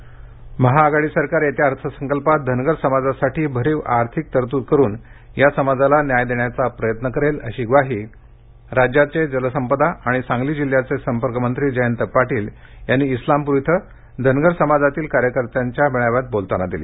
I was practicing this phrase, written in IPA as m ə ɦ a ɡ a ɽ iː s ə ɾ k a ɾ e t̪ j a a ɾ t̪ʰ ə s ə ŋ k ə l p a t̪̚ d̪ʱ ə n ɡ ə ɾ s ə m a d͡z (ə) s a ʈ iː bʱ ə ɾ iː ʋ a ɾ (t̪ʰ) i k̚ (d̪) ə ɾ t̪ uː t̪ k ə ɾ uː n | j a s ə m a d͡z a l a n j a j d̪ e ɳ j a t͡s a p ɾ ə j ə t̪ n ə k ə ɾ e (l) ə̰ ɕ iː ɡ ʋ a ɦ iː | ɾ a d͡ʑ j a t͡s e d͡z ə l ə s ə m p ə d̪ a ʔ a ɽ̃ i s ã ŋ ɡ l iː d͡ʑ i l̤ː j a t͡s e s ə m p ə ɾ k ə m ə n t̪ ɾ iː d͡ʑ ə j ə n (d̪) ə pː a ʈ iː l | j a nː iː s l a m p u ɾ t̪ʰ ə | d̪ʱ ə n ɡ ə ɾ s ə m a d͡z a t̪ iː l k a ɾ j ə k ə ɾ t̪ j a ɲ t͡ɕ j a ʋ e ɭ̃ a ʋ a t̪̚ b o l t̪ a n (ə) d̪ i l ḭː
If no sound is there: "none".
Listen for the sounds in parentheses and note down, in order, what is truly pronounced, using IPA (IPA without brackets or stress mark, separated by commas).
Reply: a, t̪ʰ, t̪, l, t̪, a